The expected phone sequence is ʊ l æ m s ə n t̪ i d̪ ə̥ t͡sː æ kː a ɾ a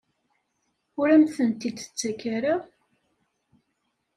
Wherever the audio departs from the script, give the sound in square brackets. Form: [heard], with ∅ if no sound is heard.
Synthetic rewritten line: ʊ [ɾ] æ m [θ] ə n t̪ i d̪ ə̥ t͡sː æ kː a ɾ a